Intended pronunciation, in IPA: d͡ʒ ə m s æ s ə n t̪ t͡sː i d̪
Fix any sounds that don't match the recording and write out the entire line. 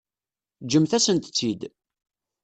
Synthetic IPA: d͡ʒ ə m θ æ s ə n t̪ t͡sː i d̪